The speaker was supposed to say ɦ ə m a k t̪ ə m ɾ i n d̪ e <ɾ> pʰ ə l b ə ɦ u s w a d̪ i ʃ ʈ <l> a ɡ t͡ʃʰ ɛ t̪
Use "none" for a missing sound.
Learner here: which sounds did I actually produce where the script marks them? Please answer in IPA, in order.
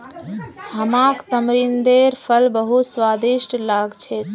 ɾ, l

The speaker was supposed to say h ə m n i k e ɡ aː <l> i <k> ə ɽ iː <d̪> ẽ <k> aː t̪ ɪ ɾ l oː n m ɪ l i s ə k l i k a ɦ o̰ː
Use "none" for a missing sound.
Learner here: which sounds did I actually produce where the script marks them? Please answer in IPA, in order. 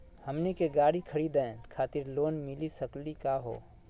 ɽ, kʰ, d̪, kʰ

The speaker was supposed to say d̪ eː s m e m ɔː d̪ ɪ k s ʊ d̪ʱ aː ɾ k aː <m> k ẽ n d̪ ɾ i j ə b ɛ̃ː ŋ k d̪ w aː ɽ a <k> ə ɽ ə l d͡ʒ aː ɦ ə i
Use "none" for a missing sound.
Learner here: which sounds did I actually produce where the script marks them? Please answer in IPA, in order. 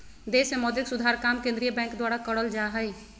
m, k

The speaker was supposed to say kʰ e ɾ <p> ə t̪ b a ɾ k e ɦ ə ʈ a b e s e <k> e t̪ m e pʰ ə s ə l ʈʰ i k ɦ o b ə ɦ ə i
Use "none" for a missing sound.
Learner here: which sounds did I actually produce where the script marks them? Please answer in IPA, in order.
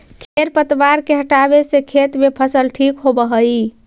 p, kʰ

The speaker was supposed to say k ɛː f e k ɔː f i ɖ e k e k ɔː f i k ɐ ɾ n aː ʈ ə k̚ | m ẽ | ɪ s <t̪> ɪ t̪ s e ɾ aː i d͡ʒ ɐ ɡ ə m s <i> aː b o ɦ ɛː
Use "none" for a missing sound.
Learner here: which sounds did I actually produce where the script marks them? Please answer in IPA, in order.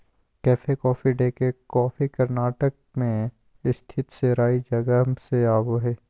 t̪ʰ, e

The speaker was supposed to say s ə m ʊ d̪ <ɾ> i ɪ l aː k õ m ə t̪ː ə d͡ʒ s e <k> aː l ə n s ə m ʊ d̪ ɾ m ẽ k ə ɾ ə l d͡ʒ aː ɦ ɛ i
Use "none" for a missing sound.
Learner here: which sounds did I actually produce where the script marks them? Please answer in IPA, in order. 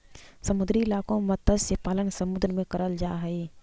ɾ, p

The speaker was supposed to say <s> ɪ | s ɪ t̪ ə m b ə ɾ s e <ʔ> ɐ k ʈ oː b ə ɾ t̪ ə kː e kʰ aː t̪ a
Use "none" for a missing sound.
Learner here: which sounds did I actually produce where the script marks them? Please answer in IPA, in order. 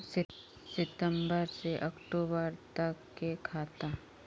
s, ʔ

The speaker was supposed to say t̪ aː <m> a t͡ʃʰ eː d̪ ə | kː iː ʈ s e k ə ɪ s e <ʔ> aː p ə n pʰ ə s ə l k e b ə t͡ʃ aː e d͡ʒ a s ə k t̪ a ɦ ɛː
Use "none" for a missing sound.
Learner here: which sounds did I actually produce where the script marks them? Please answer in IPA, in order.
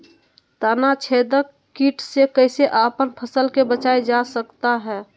n, ʔ

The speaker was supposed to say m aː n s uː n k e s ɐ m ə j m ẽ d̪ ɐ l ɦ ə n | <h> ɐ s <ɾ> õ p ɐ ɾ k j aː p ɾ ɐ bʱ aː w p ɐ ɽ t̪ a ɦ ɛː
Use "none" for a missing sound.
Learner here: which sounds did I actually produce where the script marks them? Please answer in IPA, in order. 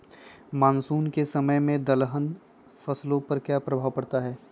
f, l

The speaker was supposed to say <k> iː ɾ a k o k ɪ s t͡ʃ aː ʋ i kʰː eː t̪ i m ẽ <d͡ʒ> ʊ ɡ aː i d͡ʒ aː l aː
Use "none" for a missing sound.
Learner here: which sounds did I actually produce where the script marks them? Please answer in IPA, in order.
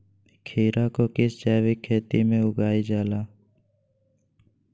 kʰ, none

